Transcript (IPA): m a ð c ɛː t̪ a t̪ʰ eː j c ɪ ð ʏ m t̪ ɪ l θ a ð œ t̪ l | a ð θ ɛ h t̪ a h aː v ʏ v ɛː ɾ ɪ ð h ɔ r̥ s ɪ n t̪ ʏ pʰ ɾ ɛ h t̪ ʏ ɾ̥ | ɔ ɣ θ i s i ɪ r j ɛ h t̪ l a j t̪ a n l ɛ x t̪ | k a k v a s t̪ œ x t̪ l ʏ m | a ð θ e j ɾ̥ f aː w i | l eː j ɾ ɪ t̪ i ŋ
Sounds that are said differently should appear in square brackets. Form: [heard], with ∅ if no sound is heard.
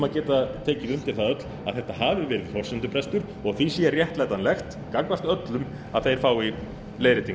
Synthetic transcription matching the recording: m a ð c ɛː t̪ a t̪ʰ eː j c ɪ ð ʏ m t̪ ɪ l θ a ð œ t̪ l | a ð θ ɛ h t̪ a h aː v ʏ v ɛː ɾ ɪ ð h ɔ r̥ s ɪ n t̪ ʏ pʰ ɾ ɛ [s] t̪ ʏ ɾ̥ | ɔ ɣ θ i s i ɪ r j ɛ h t̪ l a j t̪ a n l ɛ x t̪ | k a k v a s t̪ œ [∅] t̪ l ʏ m | a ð θ e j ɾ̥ f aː w i | l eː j ɾ ɪ t̪ i ŋ